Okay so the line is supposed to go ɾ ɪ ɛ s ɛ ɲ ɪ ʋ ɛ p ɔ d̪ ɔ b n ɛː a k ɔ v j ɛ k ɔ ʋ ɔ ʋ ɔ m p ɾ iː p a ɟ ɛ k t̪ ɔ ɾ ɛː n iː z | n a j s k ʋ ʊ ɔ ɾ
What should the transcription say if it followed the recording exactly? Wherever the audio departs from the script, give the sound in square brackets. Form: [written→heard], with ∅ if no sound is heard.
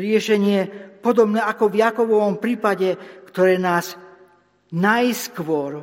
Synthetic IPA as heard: ɾ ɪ ɛ [s→ʃ] ɛ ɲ ɪ [ʋ→∅] ɛ p ɔ d̪ ɔ b n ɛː a k ɔ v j [ɛ→a] k ɔ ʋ ɔ ʋ ɔ m p ɾ iː p a ɟ ɛ k t̪ ɔ ɾ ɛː n [iː→aː] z | n a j s k ʋ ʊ ɔ ɾ